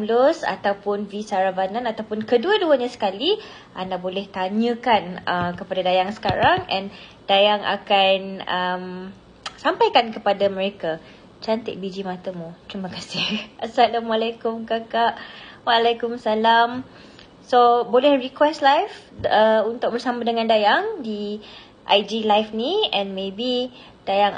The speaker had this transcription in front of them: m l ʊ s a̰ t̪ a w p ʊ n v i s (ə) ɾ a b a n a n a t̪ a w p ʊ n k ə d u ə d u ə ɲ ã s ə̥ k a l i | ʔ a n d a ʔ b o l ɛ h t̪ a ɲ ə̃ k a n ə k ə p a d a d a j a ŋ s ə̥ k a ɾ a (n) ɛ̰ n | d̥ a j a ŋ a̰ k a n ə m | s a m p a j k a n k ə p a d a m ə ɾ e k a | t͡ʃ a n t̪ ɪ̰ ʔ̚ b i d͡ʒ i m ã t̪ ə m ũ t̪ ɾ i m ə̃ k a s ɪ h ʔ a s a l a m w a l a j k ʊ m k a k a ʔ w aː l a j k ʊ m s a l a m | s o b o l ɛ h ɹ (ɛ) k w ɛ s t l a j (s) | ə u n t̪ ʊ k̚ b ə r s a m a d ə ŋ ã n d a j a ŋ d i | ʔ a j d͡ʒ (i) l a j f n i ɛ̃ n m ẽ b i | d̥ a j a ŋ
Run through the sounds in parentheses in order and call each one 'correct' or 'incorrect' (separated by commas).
incorrect, incorrect, incorrect, incorrect, correct